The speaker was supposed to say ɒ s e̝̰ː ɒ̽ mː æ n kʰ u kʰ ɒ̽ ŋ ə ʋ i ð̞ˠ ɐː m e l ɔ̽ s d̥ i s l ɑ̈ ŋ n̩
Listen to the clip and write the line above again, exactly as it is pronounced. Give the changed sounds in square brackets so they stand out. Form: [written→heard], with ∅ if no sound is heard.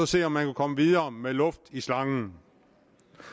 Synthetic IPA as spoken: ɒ s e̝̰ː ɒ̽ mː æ n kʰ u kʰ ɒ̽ [ŋ→m] ə ʋ i ð̞ˠ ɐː m e l ɔ̽ [s→f] d̥ i s l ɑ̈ ŋ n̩

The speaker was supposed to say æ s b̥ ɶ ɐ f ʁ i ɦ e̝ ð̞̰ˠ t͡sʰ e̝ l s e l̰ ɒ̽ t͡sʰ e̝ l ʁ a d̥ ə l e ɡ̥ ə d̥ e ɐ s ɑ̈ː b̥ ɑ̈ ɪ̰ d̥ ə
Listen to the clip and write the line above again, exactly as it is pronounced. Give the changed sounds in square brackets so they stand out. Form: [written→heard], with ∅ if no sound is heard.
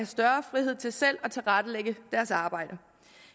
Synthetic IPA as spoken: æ s [b̥→d̥] ɶ ɐ f ʁ i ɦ e̝ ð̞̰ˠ t͡sʰ e̝ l s e l̰ ɒ̽ t͡sʰ e̝ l ʁ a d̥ ə l e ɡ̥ ə d̥ [e→æ] ɐ s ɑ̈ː b̥ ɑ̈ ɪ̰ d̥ ə

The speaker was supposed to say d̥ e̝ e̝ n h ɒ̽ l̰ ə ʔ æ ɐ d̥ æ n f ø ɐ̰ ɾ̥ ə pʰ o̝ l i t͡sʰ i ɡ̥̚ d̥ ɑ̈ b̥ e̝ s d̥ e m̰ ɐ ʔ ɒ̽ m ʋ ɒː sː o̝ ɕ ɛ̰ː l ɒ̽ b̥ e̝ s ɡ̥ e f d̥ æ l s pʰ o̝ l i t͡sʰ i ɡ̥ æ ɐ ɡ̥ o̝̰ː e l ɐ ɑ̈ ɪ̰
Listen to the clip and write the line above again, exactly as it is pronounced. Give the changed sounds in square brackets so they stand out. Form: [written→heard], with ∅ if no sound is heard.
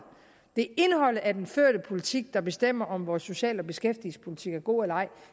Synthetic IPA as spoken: d̥ e̝ e̝ n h ɒ̽ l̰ ə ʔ æ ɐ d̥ [æ→e] n f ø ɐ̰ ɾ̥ ə pʰ o̝ l i t͡sʰ i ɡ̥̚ d̥ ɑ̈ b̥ e̝ s d̥ e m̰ ɐ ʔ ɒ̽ m ʋ ɒː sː o̝ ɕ ɛ̰ː l ɒ̽ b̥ e̝ s ɡ̥ e f d̥ [æ→i] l s pʰ o̝ l i t͡sʰ i ɡ̥ æ ɐ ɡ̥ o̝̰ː e l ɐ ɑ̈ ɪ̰

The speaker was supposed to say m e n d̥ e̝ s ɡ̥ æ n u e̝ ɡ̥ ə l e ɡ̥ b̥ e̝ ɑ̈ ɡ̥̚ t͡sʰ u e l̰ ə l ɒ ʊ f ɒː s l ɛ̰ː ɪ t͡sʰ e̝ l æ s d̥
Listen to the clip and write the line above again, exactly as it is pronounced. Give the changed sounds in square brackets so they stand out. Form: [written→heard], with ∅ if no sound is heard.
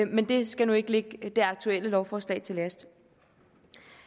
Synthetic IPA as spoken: m e n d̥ e̝ s ɡ̥ æ n u e̝ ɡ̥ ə l e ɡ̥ [b̥→d̥] e̝ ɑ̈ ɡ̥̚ t͡sʰ u e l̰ ə l ɒ ʊ f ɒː s l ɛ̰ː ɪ t͡sʰ e̝ l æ s d̥

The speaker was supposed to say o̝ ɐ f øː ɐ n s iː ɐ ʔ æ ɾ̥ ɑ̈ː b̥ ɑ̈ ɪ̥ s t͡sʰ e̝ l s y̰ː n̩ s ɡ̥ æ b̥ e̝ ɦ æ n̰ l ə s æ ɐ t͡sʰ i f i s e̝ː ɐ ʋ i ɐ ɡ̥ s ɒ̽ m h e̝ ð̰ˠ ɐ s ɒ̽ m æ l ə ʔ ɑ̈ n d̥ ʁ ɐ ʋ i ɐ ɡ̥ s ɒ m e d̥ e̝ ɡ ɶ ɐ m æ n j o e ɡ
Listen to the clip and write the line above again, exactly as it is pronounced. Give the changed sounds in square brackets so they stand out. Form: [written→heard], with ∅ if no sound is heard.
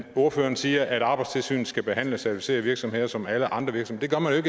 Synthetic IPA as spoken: o̝ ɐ f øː ɐ n s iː ɐ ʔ æ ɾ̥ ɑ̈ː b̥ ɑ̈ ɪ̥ s t͡sʰ e̝ l s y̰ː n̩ s ɡ̥ æ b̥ e̝ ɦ æ n̰ l ə s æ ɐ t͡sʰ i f i s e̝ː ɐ ʋ i ɐ ɡ̥ s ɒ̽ m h e̝ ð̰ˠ ɐ s ɒ̽ m æ l ə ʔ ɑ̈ n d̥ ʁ ɐ ʋ i ɐ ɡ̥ s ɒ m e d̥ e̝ ɡ ɶ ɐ m æ n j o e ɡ

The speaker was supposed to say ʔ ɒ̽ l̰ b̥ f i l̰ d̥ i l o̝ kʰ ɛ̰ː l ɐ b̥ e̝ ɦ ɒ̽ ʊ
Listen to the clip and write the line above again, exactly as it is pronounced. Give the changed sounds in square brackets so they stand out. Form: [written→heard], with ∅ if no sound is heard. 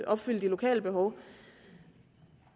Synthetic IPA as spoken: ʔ ɒ̽ [l̰→∅] b̥ f [i→y] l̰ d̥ i l o̝ kʰ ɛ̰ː l [ɐ→ə] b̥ e̝ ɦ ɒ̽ ʊ

